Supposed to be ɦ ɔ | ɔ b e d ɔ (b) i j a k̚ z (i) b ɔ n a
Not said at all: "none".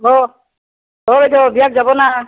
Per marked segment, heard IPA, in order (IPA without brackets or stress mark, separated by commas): b, a